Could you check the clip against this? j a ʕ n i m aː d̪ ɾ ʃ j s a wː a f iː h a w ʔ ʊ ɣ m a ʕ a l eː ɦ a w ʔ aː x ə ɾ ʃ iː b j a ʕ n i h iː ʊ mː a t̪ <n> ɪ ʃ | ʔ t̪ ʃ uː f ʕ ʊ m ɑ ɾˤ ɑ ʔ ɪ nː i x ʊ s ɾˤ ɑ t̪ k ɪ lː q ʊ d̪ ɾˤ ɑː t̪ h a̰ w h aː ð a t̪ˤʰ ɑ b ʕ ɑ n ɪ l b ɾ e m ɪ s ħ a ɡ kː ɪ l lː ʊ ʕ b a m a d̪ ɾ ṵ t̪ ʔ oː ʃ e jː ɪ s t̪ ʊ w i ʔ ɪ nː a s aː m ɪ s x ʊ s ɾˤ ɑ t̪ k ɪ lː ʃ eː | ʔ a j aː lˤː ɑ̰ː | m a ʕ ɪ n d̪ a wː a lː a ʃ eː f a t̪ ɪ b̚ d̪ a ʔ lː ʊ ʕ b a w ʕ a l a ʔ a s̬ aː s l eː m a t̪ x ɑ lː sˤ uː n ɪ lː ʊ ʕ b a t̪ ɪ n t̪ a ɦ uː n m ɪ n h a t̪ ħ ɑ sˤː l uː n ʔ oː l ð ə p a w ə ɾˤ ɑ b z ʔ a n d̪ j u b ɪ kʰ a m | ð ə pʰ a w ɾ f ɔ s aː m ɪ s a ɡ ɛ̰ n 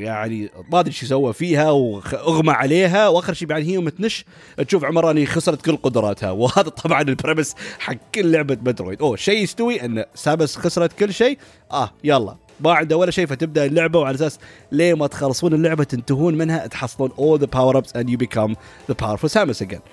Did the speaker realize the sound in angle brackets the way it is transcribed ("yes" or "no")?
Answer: yes